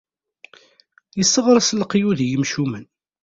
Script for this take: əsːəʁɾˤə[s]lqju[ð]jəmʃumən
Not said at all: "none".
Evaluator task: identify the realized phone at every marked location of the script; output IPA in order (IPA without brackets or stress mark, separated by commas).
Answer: s, ð